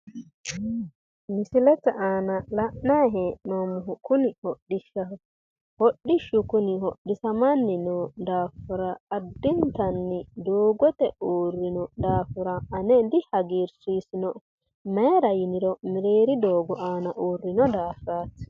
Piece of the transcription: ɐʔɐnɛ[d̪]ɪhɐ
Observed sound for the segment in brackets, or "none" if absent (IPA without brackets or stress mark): d̪